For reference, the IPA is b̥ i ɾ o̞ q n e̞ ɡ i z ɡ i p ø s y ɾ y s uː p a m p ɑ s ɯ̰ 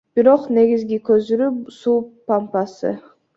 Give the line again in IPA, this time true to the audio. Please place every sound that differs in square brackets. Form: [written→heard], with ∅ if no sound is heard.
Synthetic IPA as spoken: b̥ i ɾ o̞ q n e̞ ɡ i z ɡ i [p→k] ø [s→z] y ɾ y s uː p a m p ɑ s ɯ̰